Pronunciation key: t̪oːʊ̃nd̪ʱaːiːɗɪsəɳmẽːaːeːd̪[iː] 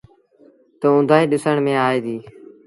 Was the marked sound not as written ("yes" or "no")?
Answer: no